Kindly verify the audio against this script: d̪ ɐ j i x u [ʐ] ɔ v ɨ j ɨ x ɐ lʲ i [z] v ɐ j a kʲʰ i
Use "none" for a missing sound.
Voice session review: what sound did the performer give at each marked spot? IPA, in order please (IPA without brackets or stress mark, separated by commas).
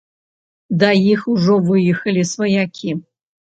ʐ, s